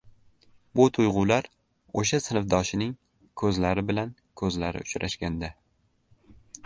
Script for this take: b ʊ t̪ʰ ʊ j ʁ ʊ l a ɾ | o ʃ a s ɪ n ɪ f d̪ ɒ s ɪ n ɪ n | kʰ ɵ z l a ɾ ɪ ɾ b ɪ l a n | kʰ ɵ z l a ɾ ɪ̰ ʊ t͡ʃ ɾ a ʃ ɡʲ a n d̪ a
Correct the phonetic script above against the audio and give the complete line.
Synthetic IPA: b ʊ t̪ʰ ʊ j ʁ ʊ l a ɾ | o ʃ a s ɪ n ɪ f d̪ ɒ ʃ ɪ n ɪ ŋ | kʰ ɵ z l a ɾ ɪ b ɪ l a n | kʰ ɵ z l a ɾ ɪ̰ ʊ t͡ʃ ɾ a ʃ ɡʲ a n d̪ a